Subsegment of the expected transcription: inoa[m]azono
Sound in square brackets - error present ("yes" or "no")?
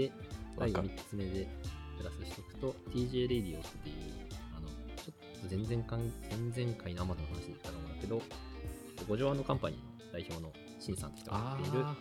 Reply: no